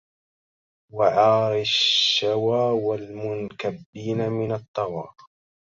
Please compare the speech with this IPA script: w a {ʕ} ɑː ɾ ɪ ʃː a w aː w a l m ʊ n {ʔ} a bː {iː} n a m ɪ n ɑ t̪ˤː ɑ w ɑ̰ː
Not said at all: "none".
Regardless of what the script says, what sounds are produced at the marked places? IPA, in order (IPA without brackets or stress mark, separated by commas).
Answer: ʕ, k, iː